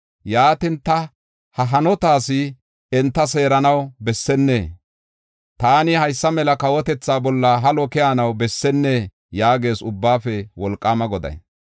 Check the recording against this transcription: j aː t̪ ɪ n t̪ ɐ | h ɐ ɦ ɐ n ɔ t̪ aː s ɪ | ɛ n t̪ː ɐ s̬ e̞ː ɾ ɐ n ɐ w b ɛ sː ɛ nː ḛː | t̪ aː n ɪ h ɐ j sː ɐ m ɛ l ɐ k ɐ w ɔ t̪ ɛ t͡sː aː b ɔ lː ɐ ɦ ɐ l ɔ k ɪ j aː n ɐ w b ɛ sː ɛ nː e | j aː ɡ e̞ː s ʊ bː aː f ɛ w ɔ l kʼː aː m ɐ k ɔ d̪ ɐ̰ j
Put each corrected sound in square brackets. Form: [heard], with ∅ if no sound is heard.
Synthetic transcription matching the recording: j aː t̪ ɪ n t̪ ɐ | h ɐ ɦ ɐ n ɔ t̪ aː s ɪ | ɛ n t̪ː ɐ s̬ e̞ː ɾ ɐ n ɐ w b ɛ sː ɛ nː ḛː | t̪ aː n ɪ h ɐ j sː ɐ m ɛ l ɐ k ɐ w ɔ t̪ ɛ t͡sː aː b ɔ lː ɐ ɦ ɐ l ɔ k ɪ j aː n ɐ w b ɛ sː ɛ nː e | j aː ɡ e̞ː s ʊ bː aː f ɛ w ɔ l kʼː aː m ɐ [ɡ] ɔ d̪ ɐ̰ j